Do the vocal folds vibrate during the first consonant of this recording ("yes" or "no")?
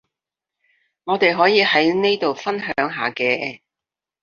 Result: yes